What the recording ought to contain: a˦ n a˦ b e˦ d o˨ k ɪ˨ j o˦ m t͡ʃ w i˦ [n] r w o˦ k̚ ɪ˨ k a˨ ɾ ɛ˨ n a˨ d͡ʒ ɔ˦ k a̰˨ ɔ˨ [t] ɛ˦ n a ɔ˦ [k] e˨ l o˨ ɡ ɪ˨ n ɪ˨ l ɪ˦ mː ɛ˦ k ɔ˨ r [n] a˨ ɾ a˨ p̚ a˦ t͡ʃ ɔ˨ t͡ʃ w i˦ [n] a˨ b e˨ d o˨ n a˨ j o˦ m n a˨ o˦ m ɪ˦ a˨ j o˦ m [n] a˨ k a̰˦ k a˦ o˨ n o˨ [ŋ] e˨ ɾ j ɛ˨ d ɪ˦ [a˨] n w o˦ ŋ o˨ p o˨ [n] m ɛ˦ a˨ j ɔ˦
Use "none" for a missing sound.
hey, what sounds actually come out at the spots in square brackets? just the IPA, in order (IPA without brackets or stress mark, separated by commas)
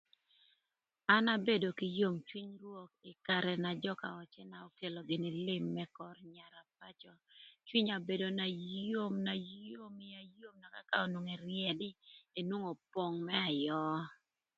ɲ, t͡ʃ, k, ɲ, ɲ, n, ŋ, e˨, ŋ